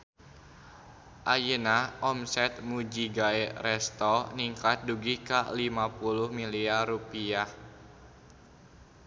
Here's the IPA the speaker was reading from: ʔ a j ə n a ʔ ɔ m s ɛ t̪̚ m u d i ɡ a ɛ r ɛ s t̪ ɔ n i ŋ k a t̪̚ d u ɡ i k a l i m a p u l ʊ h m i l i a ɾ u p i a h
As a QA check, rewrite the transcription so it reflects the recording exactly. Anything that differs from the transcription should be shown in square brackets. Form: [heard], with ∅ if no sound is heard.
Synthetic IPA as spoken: ʔ a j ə n a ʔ ɔ m s ɛ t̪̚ m u [d͡ʒ] i ɡ a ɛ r ɛ s t̪ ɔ n i ŋ k a t̪̚ d u ɡ i k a l i m a p u l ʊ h m i l i a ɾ u p i a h